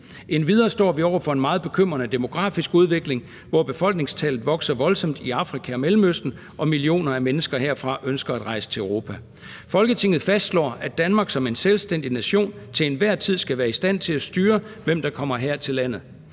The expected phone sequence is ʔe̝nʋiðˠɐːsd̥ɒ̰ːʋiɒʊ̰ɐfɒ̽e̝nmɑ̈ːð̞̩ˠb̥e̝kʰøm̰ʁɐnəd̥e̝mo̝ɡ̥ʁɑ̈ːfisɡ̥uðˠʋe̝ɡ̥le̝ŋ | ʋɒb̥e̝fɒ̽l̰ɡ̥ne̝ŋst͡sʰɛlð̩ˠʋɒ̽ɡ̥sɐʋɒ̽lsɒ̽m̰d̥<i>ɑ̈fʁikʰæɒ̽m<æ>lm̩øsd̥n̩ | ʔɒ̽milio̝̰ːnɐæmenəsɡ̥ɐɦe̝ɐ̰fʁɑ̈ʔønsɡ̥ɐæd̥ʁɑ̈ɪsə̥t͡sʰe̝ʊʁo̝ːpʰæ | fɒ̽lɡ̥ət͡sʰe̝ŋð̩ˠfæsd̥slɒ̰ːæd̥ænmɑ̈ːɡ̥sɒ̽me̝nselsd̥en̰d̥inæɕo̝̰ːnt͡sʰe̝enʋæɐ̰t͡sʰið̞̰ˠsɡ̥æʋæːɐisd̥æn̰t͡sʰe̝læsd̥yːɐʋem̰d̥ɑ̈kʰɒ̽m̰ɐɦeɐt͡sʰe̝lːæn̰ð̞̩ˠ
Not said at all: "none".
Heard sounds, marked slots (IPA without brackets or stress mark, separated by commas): i, e